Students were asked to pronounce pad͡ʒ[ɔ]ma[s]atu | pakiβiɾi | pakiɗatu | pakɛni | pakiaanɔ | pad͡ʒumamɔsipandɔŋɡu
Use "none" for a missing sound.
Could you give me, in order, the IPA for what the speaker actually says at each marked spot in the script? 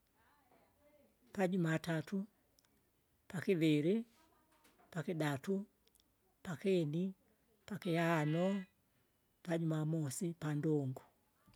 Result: u, t

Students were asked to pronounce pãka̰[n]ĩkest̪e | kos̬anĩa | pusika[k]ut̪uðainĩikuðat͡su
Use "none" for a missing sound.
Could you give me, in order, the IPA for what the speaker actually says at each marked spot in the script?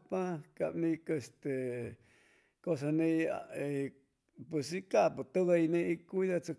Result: n, p

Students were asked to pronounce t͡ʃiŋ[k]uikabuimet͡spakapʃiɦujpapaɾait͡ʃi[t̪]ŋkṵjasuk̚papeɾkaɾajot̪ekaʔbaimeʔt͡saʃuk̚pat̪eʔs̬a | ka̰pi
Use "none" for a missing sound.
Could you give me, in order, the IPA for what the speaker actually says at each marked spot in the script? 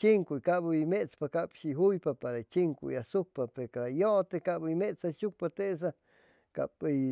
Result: k, none

